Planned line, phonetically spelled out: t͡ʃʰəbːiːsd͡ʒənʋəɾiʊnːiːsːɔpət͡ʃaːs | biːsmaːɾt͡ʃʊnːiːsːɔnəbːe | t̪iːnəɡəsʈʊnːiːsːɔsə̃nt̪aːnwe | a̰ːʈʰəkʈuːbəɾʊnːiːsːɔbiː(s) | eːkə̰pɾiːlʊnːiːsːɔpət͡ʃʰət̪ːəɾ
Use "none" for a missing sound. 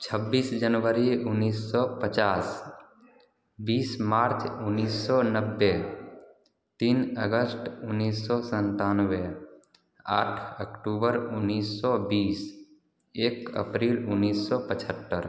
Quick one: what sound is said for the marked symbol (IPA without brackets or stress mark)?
s